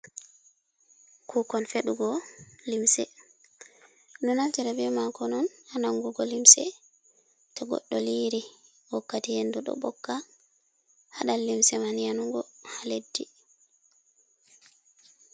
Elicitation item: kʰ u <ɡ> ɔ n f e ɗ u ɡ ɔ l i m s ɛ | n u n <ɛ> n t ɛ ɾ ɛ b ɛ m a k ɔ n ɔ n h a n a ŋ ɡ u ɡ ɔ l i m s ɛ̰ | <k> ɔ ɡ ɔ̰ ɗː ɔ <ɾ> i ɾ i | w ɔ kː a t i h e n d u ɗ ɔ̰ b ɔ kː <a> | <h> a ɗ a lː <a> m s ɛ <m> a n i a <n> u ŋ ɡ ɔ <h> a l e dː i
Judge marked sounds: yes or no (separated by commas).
no, no, no, no, yes, yes, no, yes, yes, yes